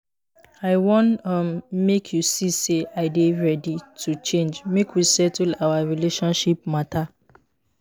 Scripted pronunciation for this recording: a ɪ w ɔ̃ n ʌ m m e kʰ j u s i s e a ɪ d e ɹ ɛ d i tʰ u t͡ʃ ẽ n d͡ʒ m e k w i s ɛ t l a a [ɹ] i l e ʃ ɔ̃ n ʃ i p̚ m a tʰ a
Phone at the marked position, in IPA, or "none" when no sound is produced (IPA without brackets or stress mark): ɹ